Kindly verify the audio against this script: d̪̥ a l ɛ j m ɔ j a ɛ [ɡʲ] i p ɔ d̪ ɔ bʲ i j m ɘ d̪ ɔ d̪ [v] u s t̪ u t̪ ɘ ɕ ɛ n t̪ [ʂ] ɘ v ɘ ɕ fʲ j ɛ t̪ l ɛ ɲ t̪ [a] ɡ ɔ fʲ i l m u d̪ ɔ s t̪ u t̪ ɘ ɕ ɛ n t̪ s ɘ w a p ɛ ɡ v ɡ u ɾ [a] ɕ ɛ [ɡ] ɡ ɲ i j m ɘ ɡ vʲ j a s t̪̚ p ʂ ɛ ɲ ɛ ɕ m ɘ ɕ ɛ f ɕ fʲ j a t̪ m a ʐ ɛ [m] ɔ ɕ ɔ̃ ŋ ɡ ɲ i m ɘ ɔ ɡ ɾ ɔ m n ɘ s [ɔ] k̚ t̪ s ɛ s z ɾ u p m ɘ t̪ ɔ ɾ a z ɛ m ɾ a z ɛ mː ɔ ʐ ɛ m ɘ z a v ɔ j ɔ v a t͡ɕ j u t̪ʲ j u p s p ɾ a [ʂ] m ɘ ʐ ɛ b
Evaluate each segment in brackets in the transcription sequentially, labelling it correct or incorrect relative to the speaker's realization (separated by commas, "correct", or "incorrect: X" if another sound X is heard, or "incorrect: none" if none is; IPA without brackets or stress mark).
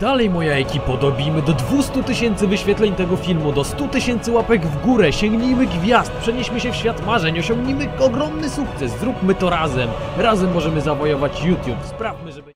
incorrect: kʲ, correct, incorrect: s, incorrect: ɛ, incorrect: ɛ, incorrect: ŋ, incorrect: ɲ, incorrect: u, incorrect: f